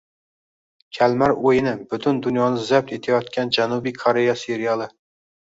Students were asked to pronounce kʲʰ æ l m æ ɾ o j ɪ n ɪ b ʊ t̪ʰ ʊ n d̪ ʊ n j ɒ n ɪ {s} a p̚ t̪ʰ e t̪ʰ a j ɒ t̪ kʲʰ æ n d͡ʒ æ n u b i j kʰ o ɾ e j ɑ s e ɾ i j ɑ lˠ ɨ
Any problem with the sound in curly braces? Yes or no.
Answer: yes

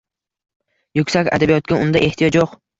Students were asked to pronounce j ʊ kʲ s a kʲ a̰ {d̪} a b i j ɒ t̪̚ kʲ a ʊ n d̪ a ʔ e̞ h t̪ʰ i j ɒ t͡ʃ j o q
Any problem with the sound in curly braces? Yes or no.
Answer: no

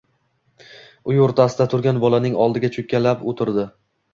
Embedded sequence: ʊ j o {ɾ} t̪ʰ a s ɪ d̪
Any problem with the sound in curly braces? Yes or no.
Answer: no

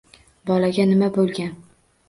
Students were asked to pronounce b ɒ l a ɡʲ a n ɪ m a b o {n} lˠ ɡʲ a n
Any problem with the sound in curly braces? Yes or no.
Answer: yes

